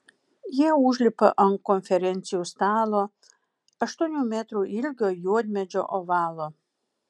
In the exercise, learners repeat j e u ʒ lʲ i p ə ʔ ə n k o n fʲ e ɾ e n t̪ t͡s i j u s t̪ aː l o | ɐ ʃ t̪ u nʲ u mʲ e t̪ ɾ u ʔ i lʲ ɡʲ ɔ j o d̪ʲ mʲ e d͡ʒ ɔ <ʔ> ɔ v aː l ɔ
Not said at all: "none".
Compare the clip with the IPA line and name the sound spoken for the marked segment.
ʔ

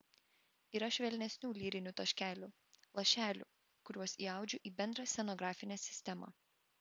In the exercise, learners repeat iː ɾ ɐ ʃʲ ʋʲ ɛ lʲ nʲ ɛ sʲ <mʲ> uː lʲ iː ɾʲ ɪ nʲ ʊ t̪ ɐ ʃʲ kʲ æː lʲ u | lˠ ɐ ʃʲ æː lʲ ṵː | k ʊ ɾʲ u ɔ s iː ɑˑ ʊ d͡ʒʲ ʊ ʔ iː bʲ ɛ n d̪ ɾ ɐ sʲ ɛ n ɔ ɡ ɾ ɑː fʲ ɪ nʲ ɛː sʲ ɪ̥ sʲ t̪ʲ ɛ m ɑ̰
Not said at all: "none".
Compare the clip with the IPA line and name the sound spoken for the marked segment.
nʲ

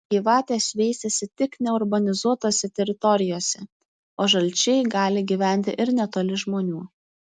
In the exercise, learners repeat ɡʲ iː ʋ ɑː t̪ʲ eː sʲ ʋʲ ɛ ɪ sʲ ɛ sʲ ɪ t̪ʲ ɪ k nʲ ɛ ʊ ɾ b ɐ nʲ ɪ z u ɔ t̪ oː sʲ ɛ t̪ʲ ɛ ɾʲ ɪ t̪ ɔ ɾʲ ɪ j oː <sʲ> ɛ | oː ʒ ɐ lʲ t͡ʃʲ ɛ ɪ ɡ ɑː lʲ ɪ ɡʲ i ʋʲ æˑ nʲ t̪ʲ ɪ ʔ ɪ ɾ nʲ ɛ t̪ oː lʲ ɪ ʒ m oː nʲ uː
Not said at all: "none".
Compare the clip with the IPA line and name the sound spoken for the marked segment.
sʲ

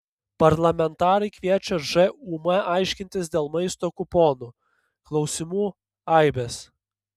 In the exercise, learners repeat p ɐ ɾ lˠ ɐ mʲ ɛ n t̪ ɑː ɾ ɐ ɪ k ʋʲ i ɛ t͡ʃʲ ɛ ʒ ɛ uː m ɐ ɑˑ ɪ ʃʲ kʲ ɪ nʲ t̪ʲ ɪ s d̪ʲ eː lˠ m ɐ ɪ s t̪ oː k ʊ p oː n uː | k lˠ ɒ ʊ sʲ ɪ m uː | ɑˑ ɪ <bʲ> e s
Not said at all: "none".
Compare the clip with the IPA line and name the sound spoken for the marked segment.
bʲ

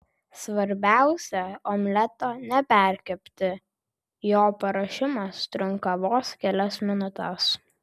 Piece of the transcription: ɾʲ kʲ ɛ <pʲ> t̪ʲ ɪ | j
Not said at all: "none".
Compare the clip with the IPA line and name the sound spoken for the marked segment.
pʲ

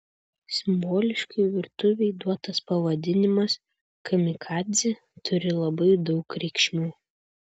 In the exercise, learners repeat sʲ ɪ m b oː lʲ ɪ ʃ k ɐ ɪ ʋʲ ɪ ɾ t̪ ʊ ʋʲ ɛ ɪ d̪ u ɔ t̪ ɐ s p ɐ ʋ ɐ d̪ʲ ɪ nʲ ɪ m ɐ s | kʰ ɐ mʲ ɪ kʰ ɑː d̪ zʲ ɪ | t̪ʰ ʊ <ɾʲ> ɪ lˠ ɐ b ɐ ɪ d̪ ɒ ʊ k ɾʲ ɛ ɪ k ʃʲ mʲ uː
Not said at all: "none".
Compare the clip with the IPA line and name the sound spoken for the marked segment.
ɾʲ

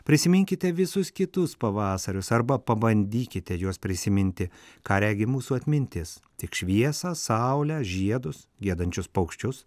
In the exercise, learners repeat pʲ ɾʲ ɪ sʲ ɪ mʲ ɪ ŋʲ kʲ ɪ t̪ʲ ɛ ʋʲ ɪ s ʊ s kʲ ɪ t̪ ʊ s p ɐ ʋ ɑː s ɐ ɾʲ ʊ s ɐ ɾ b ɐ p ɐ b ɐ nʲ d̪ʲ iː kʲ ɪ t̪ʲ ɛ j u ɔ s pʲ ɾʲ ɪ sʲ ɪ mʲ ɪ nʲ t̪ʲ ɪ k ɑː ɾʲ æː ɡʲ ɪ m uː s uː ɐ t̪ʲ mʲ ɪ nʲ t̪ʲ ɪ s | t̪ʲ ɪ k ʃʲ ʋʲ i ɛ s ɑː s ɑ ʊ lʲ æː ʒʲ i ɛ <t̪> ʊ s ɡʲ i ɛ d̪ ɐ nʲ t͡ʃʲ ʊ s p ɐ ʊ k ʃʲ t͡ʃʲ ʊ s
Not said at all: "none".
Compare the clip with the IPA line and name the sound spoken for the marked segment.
d̪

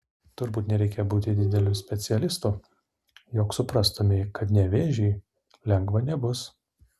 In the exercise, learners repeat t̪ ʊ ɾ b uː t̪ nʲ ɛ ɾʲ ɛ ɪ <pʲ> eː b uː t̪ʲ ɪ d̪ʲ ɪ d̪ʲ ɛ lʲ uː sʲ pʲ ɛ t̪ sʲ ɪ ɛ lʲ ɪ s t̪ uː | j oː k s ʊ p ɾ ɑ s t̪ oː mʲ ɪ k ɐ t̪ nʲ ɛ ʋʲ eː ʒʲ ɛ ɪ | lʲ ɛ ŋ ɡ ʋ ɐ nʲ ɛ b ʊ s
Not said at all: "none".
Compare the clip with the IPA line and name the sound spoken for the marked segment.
kʲ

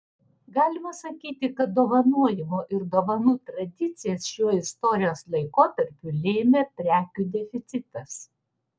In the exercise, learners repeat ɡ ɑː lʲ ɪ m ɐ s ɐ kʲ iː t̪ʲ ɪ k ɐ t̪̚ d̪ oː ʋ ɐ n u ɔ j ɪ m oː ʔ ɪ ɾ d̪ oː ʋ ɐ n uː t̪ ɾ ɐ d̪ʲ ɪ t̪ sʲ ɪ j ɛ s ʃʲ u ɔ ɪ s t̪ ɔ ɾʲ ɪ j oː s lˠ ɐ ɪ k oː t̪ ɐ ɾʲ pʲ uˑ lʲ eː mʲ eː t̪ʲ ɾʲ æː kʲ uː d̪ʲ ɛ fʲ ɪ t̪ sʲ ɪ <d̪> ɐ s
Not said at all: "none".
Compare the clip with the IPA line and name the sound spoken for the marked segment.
t̪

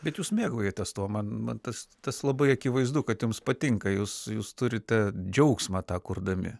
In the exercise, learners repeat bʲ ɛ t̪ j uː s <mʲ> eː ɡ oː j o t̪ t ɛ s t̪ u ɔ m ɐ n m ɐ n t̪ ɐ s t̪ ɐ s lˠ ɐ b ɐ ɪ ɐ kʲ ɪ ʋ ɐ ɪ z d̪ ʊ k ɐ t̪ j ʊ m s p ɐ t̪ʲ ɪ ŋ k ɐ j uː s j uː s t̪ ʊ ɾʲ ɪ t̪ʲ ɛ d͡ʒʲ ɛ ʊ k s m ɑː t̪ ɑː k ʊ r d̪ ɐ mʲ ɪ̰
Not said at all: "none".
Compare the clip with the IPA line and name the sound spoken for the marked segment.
mʲ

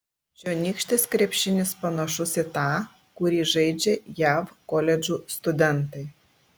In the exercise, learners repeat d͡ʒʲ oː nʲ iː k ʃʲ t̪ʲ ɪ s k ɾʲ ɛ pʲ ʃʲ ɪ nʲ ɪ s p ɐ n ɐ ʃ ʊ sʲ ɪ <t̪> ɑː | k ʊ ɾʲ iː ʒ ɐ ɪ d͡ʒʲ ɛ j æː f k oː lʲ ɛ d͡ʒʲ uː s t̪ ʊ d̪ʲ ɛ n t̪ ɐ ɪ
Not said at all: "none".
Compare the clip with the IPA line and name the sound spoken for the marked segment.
t̪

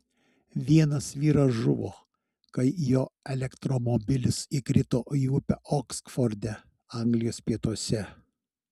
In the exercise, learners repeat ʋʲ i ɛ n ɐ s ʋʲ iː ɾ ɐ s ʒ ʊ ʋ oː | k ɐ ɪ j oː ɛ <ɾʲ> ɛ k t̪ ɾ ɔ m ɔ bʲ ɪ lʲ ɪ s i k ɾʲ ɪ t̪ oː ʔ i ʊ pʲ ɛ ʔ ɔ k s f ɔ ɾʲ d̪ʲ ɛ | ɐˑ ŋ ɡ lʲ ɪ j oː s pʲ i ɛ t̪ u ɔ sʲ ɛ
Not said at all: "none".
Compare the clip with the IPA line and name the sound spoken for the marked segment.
lʲ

